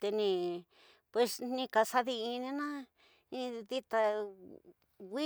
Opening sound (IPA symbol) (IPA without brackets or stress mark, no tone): t̪